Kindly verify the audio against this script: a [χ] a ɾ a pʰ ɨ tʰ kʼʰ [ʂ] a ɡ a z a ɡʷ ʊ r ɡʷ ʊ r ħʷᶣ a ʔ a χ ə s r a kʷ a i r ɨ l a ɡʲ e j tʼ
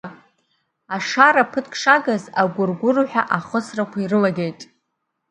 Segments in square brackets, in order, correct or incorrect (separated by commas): incorrect, correct